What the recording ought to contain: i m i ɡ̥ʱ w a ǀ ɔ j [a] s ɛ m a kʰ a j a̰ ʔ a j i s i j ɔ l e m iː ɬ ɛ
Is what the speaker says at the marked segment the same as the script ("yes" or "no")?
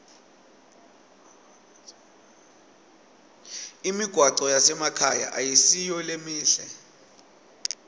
yes